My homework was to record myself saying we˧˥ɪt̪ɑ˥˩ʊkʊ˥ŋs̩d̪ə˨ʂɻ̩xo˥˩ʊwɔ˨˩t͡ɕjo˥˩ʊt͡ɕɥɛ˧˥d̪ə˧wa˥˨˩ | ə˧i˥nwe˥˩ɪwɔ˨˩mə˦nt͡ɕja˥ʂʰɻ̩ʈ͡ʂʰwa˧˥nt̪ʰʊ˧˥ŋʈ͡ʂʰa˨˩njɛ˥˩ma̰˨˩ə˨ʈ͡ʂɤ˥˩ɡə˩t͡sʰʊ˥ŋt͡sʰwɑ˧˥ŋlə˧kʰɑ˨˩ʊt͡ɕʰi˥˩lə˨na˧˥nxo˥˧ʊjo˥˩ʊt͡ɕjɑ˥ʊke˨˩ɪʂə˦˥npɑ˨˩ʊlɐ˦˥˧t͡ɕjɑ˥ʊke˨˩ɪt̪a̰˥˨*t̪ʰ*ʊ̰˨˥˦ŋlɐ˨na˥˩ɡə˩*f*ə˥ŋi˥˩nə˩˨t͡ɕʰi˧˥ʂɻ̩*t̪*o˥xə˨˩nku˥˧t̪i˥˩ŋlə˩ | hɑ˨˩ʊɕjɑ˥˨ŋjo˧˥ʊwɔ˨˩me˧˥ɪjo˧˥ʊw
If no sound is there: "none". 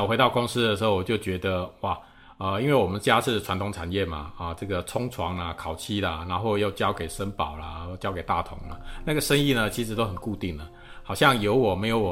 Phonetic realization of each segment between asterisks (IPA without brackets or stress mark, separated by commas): t̪ʰ, ʂ, t̪